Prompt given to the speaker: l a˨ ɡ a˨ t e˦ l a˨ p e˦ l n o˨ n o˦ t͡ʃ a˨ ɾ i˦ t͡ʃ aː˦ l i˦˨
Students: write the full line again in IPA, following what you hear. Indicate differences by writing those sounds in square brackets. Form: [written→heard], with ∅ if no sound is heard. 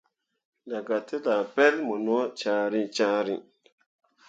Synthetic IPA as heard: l a˨ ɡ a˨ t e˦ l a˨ p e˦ l [n→m] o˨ n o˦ t͡ʃ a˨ ɾ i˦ t͡ʃ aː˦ [l→ɾ] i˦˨

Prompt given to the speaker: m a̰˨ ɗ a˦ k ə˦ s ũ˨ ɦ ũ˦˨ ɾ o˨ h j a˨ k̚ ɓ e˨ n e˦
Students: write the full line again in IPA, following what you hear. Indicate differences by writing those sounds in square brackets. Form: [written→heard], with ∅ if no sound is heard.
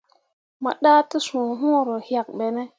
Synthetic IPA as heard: m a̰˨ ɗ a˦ [k→t] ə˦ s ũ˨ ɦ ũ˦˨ ɾ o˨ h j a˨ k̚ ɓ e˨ n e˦

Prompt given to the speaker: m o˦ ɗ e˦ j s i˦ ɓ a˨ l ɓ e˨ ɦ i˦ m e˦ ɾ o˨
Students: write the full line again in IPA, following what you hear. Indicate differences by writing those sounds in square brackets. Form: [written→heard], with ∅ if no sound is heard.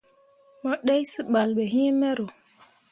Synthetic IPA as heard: m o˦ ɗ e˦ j s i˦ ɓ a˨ l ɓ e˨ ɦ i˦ m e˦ ɾ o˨

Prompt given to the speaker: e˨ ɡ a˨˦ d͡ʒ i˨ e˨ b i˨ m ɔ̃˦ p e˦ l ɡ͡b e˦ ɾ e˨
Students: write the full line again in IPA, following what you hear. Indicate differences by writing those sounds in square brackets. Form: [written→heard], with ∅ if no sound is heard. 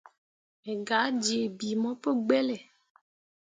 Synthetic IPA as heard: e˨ ɡ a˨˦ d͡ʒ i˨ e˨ b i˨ m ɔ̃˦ p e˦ [l→∅] ɡ͡b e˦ [ɾ→l] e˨

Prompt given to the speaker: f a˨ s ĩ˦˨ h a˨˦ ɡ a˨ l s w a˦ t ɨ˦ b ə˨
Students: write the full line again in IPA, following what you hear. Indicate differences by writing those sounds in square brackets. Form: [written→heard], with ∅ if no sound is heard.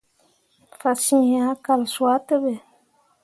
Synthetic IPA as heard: f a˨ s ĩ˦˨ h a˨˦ [ɡ→k] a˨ l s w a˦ t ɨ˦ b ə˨

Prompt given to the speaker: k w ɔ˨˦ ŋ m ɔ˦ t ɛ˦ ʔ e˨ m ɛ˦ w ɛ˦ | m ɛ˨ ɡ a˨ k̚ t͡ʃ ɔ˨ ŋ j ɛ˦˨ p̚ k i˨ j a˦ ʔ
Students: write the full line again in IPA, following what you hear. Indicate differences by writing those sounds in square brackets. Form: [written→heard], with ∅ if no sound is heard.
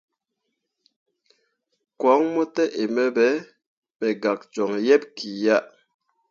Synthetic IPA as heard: k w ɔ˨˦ ŋ m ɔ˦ t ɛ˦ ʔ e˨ m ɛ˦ [w→b] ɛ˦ | m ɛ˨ ɡ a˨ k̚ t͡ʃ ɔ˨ ŋ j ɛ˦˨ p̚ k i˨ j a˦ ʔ

